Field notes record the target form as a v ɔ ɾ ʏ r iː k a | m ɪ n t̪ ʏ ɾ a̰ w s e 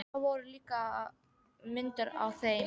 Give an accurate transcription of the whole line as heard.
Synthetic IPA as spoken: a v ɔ ɾ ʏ l iː k a | m ɪ n t̪ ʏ ɾ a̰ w θ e